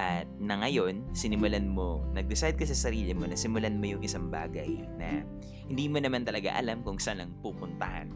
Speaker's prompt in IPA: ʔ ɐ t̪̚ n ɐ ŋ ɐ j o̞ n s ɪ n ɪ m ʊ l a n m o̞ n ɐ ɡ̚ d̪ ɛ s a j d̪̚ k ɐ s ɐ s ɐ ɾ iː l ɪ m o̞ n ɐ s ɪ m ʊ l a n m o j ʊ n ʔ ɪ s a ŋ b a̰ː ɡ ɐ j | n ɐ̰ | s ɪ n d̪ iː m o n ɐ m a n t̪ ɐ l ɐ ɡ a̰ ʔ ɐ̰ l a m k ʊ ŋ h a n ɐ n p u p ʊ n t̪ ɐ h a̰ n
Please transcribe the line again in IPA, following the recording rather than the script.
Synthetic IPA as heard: ʔ ɐ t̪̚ n ɐ ŋ ɐ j o̞ n s ɪ n ɪ m ʊ l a n m o̞ n ɐ ɡ̚ d̪ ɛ s a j d̪̚ k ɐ s ɐ s ɐ ɾ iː l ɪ m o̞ n ɐ s ɪ m ʊ l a n m o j ʊ ŋ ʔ ɪ s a ŋ b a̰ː ɡ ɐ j | n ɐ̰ | h ɪ n d̪ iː m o n ɐ m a n t̪ ɐ l ɐ ɡ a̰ ʔ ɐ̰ l a m k ʊ ŋ s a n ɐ ŋ p u p ʊ n t̪ ɐ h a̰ n